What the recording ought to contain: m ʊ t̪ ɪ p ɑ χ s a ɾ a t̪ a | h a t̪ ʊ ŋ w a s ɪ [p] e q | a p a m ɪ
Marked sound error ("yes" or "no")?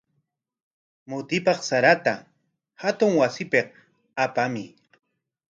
no